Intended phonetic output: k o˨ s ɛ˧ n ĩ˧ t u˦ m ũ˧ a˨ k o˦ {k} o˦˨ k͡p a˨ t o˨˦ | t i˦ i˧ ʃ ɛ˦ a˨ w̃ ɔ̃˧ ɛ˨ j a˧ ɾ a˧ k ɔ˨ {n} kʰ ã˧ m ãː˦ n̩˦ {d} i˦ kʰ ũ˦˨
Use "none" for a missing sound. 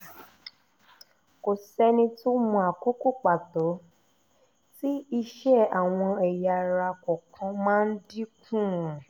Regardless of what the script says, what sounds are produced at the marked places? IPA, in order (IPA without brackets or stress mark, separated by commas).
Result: k, none, d